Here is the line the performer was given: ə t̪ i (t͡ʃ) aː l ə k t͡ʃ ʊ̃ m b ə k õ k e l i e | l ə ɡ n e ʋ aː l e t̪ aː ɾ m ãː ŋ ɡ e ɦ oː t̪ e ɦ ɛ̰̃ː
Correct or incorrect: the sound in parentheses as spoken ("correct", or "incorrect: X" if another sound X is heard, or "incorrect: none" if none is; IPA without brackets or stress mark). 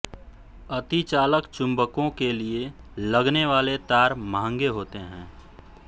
correct